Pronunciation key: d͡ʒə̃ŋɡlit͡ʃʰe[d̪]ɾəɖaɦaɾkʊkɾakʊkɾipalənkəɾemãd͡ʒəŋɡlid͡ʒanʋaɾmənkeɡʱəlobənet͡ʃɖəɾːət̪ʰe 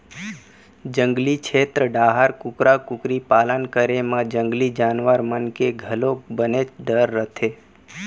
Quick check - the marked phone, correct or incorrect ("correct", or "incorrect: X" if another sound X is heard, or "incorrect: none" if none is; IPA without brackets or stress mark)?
incorrect: t̪